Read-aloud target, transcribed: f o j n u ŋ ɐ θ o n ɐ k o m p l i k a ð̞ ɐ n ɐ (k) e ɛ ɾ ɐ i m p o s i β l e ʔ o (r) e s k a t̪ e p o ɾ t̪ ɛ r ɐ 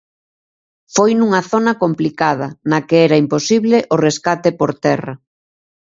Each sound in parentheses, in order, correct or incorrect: correct, correct

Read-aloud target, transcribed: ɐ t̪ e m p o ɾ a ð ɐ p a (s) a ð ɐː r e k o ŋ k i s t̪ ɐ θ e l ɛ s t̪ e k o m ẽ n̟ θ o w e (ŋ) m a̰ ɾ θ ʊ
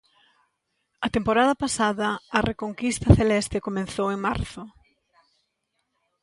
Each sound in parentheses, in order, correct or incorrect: correct, correct

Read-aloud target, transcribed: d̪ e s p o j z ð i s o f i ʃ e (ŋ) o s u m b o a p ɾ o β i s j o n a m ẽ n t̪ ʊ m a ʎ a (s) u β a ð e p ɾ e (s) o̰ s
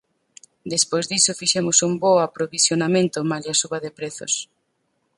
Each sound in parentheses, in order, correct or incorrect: incorrect: m, correct, incorrect: θ

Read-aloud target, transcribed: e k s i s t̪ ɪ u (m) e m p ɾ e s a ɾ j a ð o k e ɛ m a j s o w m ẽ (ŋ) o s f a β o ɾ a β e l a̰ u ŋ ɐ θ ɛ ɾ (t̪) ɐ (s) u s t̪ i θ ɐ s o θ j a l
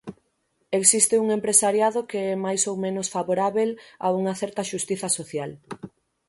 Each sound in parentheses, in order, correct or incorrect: incorrect: ŋ, incorrect: n, correct, incorrect: ʃ

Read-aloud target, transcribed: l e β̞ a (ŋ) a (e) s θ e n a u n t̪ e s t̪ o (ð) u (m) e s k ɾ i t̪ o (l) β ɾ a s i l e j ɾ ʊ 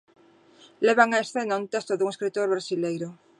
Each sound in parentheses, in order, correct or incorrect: correct, correct, correct, incorrect: ŋ, incorrect: ɾ

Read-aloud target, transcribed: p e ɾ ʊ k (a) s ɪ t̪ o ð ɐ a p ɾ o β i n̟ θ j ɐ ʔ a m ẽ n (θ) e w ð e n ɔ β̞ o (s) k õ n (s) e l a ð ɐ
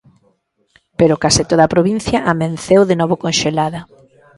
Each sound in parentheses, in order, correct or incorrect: correct, correct, incorrect: none, incorrect: ʃ

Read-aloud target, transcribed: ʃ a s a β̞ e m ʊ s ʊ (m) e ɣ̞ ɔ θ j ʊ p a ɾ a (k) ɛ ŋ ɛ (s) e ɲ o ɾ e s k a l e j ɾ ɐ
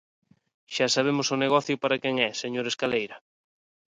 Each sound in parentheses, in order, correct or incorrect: incorrect: n, correct, correct

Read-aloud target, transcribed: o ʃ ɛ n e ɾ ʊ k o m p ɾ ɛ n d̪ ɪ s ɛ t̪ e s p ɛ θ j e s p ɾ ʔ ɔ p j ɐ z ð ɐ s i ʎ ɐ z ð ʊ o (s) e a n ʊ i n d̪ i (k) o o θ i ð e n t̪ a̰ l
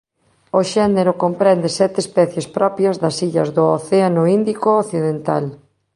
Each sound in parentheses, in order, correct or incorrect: incorrect: θ, correct

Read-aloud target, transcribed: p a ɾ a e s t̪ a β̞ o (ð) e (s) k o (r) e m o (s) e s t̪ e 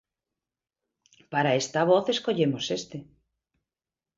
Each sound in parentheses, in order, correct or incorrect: incorrect: θ, correct, incorrect: ʎ, correct

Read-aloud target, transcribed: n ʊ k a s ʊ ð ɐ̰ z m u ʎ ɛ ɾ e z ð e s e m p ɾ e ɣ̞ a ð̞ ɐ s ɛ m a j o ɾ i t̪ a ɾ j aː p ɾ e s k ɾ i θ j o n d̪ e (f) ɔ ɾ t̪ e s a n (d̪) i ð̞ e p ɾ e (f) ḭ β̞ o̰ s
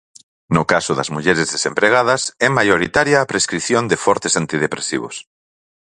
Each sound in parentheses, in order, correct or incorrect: correct, incorrect: t̪, incorrect: s

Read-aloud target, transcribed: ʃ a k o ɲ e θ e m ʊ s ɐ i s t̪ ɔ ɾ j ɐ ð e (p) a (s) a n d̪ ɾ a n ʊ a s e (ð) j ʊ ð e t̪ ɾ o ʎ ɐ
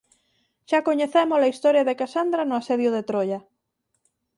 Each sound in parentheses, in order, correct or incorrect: incorrect: k, correct, correct

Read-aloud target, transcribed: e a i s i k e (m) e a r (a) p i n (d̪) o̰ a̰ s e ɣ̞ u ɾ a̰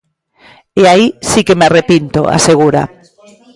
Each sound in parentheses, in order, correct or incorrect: correct, incorrect: e, incorrect: t̪

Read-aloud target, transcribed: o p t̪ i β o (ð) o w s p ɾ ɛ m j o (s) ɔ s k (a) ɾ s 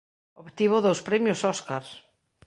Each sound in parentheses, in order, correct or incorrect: correct, correct, correct

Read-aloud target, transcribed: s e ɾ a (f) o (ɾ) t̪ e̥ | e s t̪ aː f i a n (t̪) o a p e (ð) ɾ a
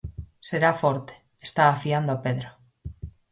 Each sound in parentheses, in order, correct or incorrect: correct, correct, incorrect: d̪, correct

